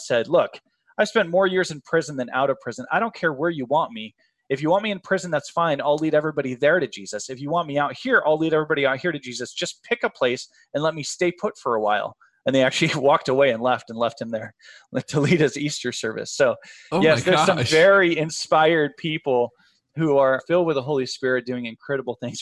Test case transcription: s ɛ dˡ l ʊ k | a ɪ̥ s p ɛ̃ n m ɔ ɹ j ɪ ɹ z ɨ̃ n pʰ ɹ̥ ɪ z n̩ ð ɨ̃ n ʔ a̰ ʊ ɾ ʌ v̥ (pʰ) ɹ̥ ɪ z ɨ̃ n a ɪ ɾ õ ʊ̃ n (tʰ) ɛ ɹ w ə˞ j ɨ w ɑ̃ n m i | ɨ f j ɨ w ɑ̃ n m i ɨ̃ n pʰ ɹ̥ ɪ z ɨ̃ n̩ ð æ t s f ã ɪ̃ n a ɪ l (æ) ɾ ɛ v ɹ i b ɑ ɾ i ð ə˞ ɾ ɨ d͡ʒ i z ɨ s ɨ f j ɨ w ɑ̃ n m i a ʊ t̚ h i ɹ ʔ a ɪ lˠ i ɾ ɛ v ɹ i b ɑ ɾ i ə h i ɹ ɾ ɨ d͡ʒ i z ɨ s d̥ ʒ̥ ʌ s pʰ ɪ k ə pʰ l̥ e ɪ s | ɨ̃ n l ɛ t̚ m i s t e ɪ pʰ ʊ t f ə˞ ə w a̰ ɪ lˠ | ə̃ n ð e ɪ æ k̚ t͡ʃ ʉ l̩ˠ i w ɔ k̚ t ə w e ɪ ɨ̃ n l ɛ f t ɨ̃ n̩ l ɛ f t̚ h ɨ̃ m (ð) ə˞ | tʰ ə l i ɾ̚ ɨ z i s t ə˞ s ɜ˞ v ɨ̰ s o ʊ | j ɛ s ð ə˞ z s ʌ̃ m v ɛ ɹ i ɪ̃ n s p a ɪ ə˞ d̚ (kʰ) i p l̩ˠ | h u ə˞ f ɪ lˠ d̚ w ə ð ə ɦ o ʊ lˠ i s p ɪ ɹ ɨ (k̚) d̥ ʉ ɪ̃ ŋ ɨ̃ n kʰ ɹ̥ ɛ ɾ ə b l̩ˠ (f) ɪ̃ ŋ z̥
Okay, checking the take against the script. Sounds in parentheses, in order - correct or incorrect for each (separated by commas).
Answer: correct, incorrect, incorrect, correct, incorrect, incorrect, incorrect